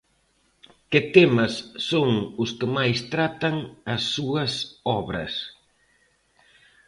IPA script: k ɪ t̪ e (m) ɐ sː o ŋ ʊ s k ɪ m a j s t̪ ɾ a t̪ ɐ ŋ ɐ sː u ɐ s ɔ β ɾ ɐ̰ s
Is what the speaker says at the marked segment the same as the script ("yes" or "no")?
yes